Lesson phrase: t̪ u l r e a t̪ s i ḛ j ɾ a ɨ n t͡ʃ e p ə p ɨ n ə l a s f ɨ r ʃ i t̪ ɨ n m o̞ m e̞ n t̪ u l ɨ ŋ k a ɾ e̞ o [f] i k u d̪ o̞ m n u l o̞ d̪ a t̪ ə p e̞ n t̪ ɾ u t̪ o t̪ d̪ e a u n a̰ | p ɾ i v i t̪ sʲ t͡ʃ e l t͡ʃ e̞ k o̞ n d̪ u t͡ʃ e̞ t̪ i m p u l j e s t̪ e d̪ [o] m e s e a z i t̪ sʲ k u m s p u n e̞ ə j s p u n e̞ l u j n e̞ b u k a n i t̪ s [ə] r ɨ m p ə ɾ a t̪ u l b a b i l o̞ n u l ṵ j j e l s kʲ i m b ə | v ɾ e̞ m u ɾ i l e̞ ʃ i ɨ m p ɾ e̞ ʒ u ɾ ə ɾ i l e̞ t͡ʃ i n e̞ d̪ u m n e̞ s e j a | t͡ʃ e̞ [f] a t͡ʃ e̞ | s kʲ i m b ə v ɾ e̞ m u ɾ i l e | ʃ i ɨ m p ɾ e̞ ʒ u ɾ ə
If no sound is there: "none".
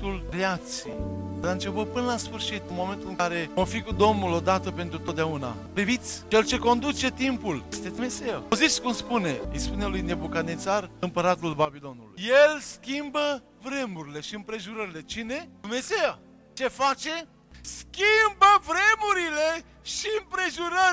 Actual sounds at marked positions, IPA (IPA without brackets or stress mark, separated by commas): f, u, a, f